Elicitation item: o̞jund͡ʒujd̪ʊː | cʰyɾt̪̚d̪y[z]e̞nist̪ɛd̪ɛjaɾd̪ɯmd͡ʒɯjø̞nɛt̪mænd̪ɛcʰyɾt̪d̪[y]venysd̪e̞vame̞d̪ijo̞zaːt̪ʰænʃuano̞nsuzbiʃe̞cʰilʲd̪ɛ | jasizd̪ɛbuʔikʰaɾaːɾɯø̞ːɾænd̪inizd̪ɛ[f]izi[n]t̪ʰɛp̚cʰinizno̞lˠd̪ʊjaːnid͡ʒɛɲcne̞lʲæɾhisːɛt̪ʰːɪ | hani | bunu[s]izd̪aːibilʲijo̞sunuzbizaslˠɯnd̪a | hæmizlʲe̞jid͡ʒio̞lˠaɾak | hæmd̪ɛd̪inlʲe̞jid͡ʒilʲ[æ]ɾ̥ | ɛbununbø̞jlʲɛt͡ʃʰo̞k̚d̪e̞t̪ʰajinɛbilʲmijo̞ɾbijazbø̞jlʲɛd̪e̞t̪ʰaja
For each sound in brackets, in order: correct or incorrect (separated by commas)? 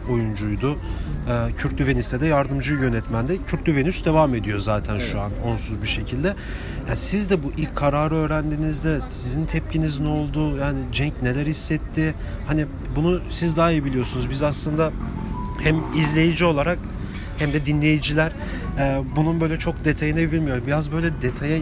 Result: incorrect, correct, incorrect, correct, correct, correct